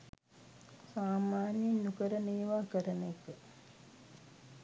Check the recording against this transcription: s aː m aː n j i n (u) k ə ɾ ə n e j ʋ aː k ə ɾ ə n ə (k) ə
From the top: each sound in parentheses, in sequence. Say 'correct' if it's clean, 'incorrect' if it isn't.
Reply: correct, correct

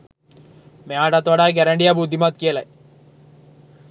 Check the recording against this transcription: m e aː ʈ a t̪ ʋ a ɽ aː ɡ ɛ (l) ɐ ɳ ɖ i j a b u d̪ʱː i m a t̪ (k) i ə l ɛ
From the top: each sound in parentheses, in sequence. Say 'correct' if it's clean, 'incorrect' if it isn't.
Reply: incorrect, correct

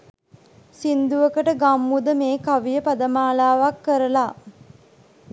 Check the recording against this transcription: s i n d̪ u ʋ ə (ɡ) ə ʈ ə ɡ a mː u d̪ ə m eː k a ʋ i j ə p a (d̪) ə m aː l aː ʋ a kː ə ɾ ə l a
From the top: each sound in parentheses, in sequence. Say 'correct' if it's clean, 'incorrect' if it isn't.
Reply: incorrect, correct

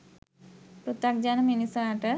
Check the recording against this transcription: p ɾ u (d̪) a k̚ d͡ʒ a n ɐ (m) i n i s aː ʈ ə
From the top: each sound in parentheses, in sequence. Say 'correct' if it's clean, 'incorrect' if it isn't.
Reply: incorrect, correct

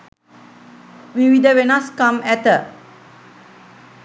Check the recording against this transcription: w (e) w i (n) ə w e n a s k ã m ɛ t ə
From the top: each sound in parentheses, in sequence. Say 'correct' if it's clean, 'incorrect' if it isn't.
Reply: incorrect, incorrect

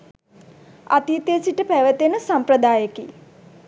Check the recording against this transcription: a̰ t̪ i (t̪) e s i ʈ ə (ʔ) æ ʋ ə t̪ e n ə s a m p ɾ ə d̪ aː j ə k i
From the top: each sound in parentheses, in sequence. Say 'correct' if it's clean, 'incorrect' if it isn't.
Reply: correct, incorrect

